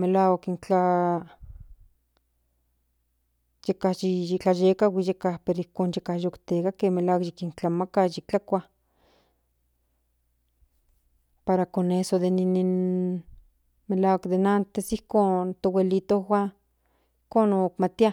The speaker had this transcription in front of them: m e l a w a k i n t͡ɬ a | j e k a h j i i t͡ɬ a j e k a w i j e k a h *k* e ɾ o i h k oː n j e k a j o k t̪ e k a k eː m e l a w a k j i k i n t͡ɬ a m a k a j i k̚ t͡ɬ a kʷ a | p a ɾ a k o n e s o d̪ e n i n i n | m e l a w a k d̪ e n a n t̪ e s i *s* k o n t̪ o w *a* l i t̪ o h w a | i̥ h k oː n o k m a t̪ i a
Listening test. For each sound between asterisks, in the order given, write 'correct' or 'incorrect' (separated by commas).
incorrect, incorrect, incorrect